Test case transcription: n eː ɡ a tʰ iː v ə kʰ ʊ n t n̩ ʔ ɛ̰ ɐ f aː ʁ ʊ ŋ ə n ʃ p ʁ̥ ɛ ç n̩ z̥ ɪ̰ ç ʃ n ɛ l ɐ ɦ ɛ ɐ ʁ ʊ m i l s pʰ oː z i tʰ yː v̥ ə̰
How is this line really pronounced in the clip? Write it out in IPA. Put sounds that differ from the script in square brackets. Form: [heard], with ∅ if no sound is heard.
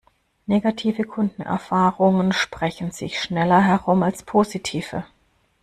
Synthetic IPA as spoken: n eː ɡ a tʰ iː v ə kʰ ʊ n [d] n̩ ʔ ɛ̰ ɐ f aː ʁ ʊ ŋ ə n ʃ p ʁ̥ ɛ ç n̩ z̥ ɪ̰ ç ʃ n ɛ l ɐ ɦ ɛ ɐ ʁ ʊ m [a] l s pʰ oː z i tʰ [iː] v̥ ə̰